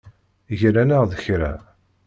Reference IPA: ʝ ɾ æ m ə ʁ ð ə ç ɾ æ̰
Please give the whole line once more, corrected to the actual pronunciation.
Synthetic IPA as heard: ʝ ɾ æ n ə ʁ ð ə ç ɾ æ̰